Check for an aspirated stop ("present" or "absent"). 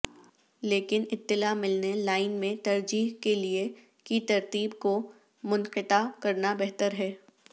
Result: absent